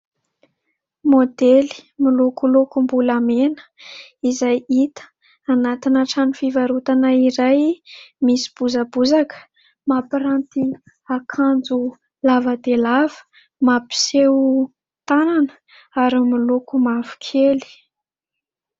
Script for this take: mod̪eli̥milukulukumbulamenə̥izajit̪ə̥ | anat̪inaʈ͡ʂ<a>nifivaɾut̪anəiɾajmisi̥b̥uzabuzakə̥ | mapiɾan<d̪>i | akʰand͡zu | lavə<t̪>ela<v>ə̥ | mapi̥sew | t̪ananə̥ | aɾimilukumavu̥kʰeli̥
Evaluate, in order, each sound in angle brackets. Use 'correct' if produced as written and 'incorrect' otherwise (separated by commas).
correct, incorrect, incorrect, correct